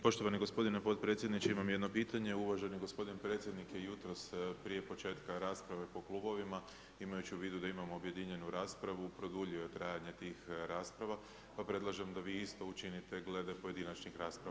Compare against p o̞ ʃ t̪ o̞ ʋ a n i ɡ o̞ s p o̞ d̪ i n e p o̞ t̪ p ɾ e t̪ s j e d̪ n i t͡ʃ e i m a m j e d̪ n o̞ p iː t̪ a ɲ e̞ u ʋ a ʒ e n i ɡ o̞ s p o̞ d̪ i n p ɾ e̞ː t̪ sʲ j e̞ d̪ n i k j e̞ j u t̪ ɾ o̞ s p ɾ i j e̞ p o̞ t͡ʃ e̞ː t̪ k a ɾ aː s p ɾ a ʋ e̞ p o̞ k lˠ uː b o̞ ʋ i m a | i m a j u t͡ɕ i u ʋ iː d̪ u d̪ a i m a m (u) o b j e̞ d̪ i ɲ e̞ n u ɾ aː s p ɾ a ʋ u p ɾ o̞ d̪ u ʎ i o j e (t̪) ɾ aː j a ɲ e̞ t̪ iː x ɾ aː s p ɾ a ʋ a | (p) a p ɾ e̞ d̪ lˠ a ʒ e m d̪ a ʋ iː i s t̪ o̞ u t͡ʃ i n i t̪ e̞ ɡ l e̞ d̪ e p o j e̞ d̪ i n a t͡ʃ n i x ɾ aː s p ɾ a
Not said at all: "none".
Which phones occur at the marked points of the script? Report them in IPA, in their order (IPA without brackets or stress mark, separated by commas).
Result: o, t̪, p